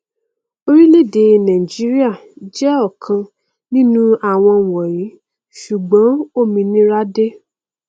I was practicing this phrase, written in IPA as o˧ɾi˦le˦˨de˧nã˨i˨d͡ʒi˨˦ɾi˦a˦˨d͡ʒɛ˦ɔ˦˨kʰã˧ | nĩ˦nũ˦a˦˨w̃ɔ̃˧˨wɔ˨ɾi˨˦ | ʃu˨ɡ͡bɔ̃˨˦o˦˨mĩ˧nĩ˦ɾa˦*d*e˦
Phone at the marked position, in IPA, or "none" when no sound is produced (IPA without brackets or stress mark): d